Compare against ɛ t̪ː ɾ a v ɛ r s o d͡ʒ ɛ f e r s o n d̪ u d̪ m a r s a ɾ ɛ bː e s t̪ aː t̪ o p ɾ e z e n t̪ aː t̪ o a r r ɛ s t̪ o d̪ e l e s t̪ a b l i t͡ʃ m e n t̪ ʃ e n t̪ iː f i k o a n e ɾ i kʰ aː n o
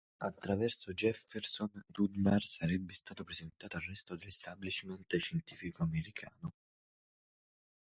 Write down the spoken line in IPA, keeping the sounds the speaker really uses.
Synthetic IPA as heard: a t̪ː ɾ a v ɛ r s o d͡ʒ ɛ f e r s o n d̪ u d̪ m a r s a ɾ ɛ bː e s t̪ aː t̪ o p ɾ e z e n t̪ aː t̪ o a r r ɛ s t̪ o d̪ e l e s t̪ a b l i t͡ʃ m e n t̪ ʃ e n t̪ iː f i k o a m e ɾ i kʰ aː n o

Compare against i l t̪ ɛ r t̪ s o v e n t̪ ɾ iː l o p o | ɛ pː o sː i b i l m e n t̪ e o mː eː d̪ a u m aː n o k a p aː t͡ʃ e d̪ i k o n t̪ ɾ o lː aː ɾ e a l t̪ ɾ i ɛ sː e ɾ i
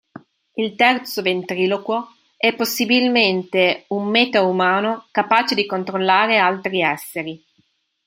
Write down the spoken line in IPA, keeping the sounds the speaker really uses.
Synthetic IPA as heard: i l t̪ ɛ r t̪ s o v e n t̪ ɾ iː l o k o | ɛ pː o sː i b i l m e n t̪ e u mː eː t̪ a u m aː n o k a p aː t͡ʃ e d̪ i k o n t̪ ɾ o lː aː ɾ e a l t̪ ɾ i ɛ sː e ɾ i

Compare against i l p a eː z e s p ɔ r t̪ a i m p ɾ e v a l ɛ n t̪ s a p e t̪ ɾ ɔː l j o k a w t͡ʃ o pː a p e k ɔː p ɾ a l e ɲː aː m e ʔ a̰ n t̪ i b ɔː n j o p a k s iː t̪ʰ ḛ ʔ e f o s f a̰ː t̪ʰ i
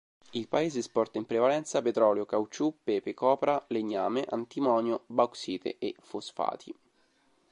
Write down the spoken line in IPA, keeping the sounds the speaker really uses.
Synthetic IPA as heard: i l p a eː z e s p ɔ r t̪ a i m p ɾ e v a l ɛ n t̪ s a p e t̪ ɾ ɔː l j o k a w t͡ʃ u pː e p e k ɔː p ɾ a l e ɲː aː m e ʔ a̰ n t̪ i m ɔː n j o b a k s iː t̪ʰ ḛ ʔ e f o s f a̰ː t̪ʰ i

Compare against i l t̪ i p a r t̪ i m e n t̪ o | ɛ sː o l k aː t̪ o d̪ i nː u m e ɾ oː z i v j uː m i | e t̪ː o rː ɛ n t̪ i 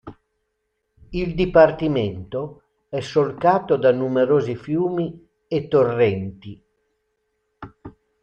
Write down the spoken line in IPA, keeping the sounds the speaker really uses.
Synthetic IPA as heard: i l d̪ i p a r t̪ i m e n t̪ o | ɛ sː o l k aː t̪ o d̪ a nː u m e ɾ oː z i f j uː m i | e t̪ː o rː ɛ n t̪ i

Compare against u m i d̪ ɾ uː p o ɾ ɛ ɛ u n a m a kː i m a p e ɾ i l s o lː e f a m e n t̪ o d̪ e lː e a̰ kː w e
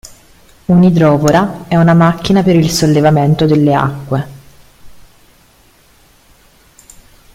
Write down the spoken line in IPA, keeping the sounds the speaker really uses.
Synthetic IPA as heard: u n i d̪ ɾ ɔː p o ɾ a ɛ u n a m a kː i n a p e ɾ i l s o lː e v a m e n t̪ o d̪ e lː e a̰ kː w e

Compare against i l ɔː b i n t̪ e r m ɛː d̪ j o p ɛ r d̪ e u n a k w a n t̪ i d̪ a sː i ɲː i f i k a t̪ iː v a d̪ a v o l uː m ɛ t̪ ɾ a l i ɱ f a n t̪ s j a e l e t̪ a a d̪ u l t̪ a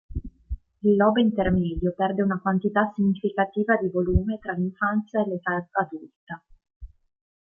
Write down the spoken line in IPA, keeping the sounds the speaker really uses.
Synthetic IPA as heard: i lː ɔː b i n t̪ e r m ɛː d̪ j o p ɛ r d̪ e u n a k w a n t̪ i t̪ a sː i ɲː i f i k a t̪ iː v a d̪ i v o l uː m e t̪ ɾ a l i ɱ f a n t̪ s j a e l e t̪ a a d̪ u l t̪ a

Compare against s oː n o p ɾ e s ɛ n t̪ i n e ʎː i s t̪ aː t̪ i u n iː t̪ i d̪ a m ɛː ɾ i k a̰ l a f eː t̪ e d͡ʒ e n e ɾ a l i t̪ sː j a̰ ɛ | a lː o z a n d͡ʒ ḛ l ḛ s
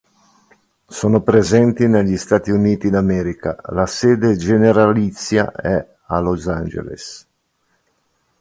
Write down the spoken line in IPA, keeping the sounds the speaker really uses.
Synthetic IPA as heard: s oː n o p ɾ e z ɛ n t̪ i n e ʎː i s t̪ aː t̪ i u n iː t̪ i d̪ a m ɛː ɾ i k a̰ l a s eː d̪ e d͡ʒ e n e ɾ a l i t̪ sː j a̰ ɛ | a l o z a n d͡ʒ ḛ l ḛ s

